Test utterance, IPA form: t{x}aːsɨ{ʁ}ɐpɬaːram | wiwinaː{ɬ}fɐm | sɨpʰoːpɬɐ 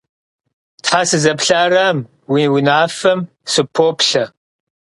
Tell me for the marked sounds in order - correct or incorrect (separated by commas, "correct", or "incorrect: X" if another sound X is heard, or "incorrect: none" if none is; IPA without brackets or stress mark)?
incorrect: ħ, incorrect: z, incorrect: none